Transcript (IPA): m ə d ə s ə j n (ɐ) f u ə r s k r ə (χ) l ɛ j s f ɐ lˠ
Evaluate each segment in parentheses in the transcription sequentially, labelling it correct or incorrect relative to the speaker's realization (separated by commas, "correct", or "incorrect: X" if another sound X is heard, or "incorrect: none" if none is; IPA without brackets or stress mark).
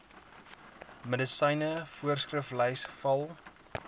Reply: incorrect: ə, incorrect: f